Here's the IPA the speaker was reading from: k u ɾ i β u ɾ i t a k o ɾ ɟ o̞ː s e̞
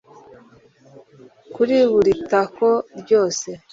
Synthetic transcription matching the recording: k u ɾ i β u ɾ i t a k o ɾ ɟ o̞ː s e̞